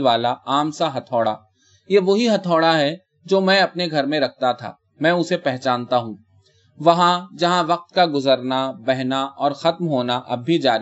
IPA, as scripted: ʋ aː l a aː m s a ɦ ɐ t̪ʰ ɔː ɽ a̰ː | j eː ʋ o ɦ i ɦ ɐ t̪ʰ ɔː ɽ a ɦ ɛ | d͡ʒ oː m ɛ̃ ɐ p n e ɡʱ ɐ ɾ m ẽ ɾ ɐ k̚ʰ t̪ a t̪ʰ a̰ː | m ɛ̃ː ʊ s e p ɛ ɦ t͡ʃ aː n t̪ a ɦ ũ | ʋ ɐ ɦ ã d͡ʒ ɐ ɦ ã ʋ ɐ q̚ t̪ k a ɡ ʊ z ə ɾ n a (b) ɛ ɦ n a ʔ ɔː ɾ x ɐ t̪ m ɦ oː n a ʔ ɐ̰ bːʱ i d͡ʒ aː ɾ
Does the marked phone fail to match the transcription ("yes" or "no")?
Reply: no